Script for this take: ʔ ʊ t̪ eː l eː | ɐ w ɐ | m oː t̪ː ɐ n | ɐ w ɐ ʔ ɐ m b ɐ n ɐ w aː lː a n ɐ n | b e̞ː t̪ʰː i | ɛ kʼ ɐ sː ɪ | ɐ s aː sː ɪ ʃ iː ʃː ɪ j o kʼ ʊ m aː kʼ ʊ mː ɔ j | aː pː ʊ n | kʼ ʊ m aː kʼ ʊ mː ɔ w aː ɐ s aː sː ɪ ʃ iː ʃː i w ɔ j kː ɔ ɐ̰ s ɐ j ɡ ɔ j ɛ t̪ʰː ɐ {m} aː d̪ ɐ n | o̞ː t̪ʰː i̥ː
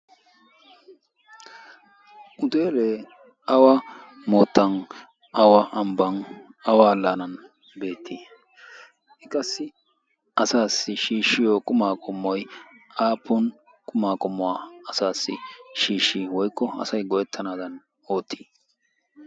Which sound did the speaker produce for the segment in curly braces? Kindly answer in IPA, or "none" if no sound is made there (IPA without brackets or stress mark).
n